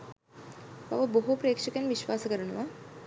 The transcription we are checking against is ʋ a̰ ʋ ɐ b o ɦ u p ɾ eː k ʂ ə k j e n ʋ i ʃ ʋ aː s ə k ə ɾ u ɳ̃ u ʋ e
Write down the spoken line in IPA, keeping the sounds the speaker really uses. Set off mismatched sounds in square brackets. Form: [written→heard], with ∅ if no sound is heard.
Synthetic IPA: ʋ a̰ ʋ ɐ b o ɦ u p ɾ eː k ʂ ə k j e n ʋ i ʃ ʋ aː s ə k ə ɾ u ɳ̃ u ʋ [e→a]